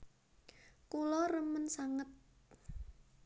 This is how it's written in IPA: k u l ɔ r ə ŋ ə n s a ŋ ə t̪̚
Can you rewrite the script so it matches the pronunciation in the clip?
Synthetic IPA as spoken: k u l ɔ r ə m ə n s a ŋ ə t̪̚